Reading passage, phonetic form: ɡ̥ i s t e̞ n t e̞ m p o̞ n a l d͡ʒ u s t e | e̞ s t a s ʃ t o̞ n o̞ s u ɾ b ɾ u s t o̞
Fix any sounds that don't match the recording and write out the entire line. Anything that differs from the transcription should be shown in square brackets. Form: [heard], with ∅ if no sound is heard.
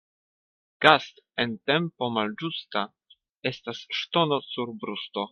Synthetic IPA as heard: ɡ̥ [a] s t e̞ n t e̞ m p o̞ [m] a l d͡ʒ u s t [a] | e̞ s t a s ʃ t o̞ n o̞ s u ɾ b ɾ u s t o̞